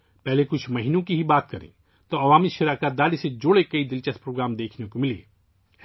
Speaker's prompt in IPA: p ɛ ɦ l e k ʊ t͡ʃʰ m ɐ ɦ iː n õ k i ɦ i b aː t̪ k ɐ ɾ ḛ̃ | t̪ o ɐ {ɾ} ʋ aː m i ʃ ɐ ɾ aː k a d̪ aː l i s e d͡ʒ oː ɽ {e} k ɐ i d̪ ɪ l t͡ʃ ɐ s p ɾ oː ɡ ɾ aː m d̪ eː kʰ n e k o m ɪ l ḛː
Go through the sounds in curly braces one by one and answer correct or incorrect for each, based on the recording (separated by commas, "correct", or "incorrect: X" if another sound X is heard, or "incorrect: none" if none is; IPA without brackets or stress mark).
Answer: incorrect: none, correct